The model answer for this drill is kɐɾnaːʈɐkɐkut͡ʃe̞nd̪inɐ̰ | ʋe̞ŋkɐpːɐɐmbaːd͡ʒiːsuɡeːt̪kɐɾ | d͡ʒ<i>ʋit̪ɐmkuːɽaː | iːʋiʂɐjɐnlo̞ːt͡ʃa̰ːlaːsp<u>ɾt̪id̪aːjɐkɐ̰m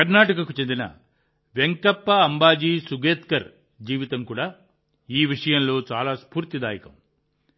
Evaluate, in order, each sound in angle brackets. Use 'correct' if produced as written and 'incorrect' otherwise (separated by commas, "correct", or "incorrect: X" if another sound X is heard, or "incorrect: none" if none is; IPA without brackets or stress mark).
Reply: incorrect: iː, incorrect: uː